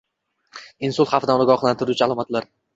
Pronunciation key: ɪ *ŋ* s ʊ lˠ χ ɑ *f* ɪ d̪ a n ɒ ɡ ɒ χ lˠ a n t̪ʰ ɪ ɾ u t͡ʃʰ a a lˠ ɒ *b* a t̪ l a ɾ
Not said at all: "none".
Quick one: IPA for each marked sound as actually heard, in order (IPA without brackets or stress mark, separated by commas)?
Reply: n, f, m